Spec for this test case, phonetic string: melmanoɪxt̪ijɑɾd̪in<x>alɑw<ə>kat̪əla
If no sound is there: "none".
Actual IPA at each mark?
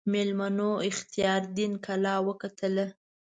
k, ə

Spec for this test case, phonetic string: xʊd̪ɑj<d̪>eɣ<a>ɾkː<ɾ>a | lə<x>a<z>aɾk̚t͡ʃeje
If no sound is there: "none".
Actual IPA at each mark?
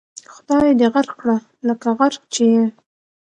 d̪, a, ɽ, k, ɣ

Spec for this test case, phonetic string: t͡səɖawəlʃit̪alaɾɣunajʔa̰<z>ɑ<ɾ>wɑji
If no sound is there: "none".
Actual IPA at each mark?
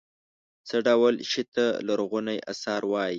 s, ɾ

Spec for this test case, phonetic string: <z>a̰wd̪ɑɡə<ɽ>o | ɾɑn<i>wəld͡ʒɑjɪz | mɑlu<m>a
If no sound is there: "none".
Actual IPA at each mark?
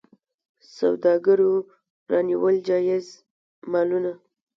s, ɾ, i, n

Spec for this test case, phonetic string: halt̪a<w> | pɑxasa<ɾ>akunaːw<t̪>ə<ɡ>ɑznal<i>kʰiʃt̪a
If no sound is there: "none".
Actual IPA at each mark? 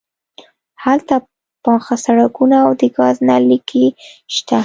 none, ɽ, d̪, ɡ, i

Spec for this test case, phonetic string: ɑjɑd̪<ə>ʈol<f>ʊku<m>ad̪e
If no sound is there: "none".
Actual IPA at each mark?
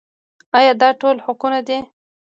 ɑ, h, n

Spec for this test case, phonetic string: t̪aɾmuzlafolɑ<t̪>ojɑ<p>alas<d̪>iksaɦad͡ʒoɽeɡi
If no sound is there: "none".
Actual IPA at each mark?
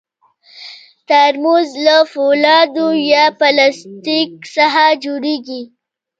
d̪, p, t̪

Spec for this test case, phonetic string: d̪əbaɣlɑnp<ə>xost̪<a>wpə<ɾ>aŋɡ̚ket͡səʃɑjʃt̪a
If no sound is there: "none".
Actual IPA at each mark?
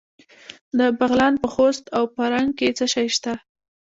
ə, a, ɾ

